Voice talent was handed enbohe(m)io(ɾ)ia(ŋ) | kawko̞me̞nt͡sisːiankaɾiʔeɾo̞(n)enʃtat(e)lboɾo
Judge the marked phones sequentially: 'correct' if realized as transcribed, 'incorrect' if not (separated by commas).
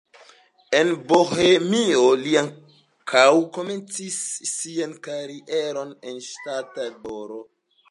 correct, incorrect, correct, correct, incorrect